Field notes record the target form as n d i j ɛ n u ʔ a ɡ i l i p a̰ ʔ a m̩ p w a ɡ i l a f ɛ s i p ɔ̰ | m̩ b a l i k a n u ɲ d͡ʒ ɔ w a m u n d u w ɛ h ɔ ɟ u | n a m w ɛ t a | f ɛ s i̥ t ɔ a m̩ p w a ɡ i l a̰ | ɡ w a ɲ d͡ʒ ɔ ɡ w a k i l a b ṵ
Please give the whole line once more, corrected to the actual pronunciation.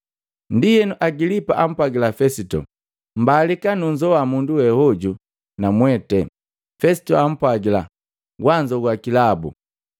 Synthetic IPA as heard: n d i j ɛ n u ʔ a ɡ i l i p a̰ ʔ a m̩ p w a ɡ i l a f ɛ s i t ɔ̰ | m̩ b a l i k a n u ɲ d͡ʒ ɔ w a m u n d u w ɛ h ɔ ɟ u | n a m w ɛ t ɛ | f ɛ s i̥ t ɔ a m̩ p w a ɡ i l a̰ | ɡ w a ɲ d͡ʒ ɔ ɡ w a k i l a b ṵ